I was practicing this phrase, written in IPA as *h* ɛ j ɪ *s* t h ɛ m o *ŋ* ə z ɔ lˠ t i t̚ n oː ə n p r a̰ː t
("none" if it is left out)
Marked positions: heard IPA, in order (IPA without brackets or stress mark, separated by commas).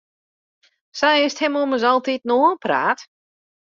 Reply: s, s, m